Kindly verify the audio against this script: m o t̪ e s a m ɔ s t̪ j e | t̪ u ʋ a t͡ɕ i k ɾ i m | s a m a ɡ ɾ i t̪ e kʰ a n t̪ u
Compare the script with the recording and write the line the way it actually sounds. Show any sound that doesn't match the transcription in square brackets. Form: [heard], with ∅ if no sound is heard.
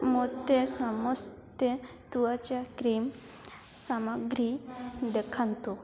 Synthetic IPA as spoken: m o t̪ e s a m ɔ s t̪ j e | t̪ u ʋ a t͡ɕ [a] k ɾ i m | s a m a ɡ ɾ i [d̪] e kʰ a n t̪ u